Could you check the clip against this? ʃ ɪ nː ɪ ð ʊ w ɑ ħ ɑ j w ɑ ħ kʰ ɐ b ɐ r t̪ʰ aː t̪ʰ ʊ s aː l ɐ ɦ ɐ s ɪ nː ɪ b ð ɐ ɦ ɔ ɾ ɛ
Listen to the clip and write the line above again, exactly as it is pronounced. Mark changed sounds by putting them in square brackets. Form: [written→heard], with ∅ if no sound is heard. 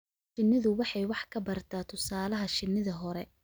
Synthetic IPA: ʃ ɪ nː ɪ ð ʊ w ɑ ħ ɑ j w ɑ ħ kʰ ɐ b ɐ r t̪ʰ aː t̪ʰ ʊ s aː l ɐ ɦ ɐ [s→ʃ] ɪ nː ɪ [b→∅] ð ɐ ɦ ɔ ɾ ɛ